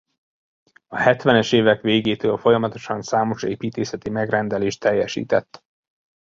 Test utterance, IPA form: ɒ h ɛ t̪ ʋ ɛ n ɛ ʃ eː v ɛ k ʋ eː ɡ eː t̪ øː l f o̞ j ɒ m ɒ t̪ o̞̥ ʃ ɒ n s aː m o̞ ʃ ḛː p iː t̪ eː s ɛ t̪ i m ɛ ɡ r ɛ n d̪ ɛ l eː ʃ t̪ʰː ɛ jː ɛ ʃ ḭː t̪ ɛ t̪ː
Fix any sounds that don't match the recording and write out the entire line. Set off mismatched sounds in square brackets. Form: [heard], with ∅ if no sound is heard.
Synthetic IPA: ɒ h ɛ t̪ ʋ ɛ n ɛ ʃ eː v ɛ k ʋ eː ɡ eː t̪ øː l f o̞ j ɒ m ɒ t̪ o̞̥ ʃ ɒ n s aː m o̞ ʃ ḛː p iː t̪ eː s ɛ t̪ i m ɛ ɡ r ɛ n d̪ ɛ l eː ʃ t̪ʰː ɛ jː ɛ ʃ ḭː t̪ ɛ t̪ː